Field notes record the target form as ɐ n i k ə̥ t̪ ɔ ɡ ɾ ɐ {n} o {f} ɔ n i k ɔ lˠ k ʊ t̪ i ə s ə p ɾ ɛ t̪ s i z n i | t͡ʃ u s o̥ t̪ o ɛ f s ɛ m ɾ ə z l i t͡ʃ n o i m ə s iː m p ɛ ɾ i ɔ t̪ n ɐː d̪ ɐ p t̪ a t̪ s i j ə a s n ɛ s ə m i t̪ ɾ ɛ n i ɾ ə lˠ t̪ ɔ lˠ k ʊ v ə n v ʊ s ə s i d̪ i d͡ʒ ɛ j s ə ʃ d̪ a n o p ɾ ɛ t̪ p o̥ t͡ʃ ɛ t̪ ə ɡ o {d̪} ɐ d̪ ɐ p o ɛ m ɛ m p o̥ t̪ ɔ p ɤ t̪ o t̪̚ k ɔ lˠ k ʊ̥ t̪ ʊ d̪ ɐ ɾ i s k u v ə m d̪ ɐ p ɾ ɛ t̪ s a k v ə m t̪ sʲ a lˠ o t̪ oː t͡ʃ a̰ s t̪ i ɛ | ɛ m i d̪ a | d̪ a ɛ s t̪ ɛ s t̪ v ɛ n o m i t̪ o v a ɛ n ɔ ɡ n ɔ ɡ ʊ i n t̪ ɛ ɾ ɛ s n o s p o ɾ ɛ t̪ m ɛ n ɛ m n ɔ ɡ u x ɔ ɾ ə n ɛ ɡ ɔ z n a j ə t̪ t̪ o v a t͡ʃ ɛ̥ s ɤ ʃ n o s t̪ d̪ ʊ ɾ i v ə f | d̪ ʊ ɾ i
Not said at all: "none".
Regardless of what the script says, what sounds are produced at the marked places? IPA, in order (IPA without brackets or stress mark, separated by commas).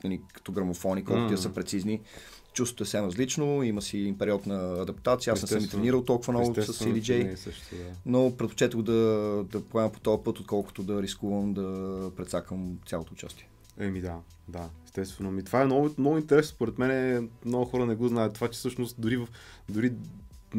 m, f, d̪